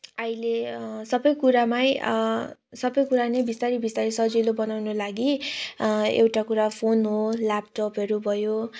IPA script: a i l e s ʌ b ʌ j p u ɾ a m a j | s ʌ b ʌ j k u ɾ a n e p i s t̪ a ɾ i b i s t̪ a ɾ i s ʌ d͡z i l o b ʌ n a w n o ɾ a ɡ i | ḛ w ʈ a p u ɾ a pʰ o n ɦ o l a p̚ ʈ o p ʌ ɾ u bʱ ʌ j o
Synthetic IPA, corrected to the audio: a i l e s ʌ b ʌ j k u ɾ a m a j | s ʌ b ʌ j k u ɾ a n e b i s t̪ a ɾ i b i s t̪ a ɾ i s ʌ d͡z i l o b ʌ n a w n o l a ɡ i | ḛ w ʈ a k u ɾ a pʰ o n ɦ o l a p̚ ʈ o p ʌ ɾ u bʱ ʌ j o